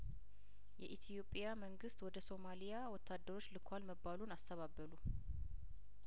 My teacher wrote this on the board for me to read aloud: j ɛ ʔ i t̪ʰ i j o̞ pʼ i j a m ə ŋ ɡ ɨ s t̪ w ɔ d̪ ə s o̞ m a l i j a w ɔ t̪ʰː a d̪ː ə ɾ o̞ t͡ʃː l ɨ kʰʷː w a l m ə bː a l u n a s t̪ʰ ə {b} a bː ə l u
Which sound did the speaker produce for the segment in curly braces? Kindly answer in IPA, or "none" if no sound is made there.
β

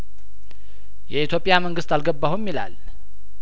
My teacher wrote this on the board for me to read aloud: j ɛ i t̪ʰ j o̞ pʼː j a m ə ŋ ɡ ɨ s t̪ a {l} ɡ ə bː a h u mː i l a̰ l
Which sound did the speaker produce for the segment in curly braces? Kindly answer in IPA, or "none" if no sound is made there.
l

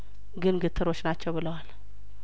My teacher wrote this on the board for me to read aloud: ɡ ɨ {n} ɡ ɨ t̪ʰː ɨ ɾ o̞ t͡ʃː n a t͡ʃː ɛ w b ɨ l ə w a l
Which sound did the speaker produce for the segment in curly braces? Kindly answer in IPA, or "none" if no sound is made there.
n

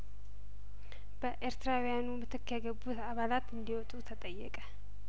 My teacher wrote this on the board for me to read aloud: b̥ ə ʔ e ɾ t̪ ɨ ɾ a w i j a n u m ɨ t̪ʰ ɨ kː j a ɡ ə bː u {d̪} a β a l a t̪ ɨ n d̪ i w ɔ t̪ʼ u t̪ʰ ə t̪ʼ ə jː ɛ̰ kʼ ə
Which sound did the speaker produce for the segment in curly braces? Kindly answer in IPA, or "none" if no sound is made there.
t̪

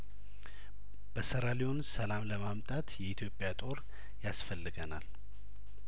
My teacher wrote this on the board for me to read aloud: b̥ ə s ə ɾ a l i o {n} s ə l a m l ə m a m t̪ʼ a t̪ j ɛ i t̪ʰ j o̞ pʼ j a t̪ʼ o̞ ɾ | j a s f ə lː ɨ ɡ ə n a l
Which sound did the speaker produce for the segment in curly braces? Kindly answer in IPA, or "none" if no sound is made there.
n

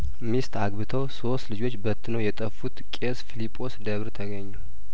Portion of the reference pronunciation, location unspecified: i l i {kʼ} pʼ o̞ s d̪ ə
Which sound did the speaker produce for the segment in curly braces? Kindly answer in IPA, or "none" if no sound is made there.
none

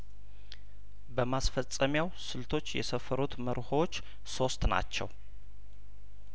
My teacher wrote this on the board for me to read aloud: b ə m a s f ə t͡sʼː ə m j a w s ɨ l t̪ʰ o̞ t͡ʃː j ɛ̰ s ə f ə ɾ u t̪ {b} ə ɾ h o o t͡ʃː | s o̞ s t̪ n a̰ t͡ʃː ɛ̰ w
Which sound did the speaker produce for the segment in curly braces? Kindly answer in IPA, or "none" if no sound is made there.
m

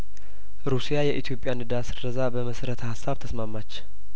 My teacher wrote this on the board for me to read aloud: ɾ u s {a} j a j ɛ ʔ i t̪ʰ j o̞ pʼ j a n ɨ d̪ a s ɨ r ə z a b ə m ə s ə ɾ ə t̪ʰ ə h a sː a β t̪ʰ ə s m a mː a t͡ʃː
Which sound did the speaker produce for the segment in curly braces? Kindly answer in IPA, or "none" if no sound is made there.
i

